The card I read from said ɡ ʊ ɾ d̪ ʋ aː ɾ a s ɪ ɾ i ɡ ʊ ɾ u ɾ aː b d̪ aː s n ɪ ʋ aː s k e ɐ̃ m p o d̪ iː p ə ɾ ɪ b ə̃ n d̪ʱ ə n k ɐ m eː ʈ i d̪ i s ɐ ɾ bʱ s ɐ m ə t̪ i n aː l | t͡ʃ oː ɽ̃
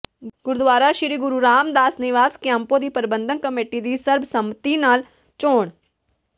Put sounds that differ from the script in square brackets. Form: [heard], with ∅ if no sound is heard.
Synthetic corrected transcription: ɡ ʊ ɾ d̪ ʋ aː ɾ a [ʃ] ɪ ɾ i ɡ ʊ ɾ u ɾ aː [m] d̪ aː s n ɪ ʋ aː s k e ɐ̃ m p o d̪ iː p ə ɾ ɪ b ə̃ n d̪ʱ ə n k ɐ m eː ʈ i d̪ i s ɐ ɾ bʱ s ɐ m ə t̪ i n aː l | t͡ʃ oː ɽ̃